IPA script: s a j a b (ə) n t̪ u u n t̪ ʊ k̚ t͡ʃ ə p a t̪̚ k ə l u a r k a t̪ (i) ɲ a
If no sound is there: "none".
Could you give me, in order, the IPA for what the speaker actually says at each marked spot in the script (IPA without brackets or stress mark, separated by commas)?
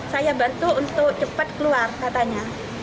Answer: a, a